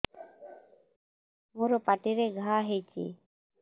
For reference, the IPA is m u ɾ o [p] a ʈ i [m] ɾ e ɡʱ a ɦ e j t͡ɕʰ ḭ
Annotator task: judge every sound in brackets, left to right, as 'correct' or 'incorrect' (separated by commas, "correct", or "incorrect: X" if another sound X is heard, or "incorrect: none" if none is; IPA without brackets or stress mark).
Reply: correct, incorrect: none